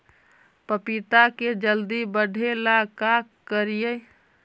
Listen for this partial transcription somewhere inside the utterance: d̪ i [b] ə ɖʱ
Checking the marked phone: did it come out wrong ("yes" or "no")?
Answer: no